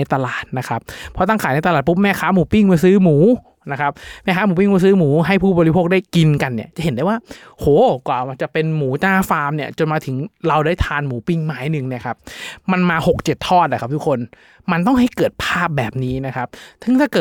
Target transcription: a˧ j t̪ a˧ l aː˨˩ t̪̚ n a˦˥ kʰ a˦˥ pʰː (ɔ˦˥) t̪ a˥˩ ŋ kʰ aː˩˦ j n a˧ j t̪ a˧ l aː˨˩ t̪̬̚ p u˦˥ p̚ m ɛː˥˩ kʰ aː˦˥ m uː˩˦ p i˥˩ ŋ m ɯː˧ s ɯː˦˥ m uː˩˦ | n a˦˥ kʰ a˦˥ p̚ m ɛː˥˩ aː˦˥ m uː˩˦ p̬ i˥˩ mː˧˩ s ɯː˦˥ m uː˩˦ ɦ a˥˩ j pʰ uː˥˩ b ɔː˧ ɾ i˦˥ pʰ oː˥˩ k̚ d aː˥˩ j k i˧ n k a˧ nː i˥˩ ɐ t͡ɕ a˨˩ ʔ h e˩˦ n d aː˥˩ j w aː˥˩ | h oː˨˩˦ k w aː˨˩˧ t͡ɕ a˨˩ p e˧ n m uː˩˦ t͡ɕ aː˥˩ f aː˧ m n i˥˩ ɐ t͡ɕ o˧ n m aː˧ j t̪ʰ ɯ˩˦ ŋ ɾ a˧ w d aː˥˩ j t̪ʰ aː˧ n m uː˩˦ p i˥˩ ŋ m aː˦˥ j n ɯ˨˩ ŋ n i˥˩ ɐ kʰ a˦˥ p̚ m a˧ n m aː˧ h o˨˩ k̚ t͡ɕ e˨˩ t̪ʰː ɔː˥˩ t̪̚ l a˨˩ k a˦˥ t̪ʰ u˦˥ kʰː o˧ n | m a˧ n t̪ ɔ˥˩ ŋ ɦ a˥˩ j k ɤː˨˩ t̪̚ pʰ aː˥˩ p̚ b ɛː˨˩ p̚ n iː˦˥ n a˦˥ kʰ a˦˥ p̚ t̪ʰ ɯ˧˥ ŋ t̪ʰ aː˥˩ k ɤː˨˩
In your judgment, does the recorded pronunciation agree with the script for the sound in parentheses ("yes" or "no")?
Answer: yes